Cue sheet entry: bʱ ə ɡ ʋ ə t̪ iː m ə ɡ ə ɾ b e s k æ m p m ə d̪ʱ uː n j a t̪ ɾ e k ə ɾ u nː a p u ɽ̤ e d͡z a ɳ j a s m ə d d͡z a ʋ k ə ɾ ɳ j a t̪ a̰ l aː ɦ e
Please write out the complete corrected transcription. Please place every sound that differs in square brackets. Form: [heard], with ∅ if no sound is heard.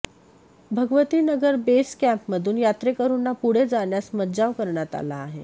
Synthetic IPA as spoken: bʱ ə ɡ ʋ ə t̪ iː [n] ə ɡ ə ɾ b e s k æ m p m ə d̪ʱ uː n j a t̪ ɾ e k ə ɾ u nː a p u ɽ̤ e d͡z a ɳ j a s m ə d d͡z a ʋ k ə ɾ ɳ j a t̪ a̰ l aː ɦ e